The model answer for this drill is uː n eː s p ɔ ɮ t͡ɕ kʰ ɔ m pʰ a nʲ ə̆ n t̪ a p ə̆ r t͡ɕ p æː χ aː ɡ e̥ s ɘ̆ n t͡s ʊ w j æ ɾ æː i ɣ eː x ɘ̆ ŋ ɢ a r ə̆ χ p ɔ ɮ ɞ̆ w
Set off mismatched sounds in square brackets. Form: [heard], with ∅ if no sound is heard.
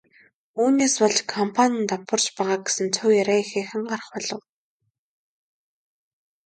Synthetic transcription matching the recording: uː n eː s p ɔ ɮ t͡ɕ kʰ ɔ m pʰ a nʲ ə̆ n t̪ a p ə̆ r t͡ɕ p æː [ʁ] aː ɡ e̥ s ɘ̆ n [t͡sʰ] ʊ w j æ ɾ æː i [x] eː x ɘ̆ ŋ ɢ a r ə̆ χ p ɔ ɮ ɞ̆ w